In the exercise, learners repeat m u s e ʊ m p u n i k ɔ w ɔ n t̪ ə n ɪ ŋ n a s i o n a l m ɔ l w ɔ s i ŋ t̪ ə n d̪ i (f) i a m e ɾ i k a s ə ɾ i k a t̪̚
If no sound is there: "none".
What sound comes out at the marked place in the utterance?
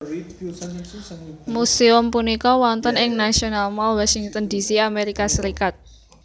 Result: s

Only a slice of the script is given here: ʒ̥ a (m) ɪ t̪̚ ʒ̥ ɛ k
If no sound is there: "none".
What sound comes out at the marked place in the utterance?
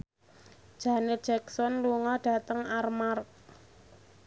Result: n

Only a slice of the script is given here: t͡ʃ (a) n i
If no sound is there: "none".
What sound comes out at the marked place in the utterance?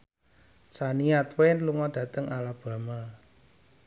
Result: a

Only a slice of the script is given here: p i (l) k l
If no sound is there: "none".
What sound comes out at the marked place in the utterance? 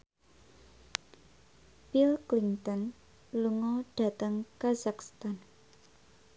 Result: l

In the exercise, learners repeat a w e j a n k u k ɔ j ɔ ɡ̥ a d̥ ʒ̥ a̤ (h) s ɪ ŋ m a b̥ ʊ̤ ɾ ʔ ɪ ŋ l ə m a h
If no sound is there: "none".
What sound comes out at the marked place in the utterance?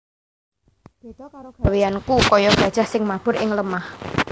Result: h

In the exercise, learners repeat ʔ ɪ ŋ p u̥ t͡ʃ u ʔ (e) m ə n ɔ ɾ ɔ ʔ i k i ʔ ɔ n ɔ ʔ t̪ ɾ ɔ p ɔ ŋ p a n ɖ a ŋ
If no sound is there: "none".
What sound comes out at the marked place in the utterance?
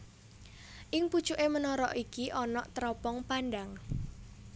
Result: e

